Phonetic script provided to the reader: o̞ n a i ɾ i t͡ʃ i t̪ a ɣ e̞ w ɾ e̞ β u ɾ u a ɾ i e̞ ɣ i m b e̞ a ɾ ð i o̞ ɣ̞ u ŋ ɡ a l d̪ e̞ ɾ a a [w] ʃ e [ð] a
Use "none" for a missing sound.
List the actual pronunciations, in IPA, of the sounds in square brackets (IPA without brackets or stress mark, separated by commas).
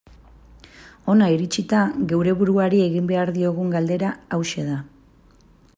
w, ð